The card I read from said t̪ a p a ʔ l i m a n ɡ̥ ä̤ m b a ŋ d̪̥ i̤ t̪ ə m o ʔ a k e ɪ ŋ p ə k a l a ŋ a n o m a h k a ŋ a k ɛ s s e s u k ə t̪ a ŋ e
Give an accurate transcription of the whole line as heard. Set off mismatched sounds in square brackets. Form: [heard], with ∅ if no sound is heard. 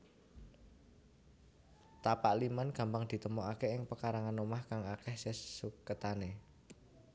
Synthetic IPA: t̪ a p a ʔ l i m a n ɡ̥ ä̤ m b a ŋ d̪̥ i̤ t̪ ə m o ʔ a k e ɪ ŋ p ə k a [ɾ] a ŋ a n o m a h k a ŋ a k ɛ [h] s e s u k ə t̪ a [n] e